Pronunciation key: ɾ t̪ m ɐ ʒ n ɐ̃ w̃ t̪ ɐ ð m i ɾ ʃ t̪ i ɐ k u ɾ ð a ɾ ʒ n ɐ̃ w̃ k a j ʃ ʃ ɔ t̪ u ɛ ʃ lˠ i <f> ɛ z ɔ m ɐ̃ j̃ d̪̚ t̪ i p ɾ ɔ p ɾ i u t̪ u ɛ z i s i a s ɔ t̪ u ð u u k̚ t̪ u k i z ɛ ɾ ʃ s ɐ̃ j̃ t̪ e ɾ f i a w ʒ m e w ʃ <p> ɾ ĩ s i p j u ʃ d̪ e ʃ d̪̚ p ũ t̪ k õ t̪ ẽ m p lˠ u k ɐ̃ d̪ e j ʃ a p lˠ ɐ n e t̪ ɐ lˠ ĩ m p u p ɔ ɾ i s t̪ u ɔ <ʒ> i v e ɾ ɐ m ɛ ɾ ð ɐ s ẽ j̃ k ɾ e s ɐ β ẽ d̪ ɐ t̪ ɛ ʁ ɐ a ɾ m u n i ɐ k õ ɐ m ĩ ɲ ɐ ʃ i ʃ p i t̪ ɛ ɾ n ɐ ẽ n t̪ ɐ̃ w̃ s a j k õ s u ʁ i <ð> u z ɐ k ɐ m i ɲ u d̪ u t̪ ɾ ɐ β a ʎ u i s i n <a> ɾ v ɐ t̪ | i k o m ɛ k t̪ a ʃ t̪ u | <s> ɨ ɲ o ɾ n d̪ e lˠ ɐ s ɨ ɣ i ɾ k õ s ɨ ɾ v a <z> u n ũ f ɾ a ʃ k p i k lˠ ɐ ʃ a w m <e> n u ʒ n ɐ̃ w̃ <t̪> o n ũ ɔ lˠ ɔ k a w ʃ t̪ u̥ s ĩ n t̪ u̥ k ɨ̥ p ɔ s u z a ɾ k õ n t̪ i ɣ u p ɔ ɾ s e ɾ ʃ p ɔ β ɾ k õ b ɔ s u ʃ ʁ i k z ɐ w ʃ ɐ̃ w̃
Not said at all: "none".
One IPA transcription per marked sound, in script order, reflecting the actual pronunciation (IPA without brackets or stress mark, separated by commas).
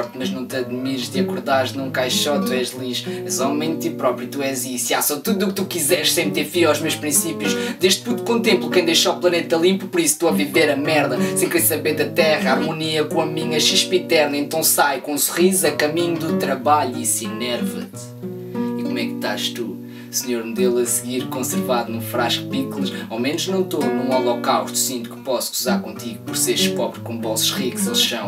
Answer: ʃ, p, v, z, ɛ, s, ð, e, t̪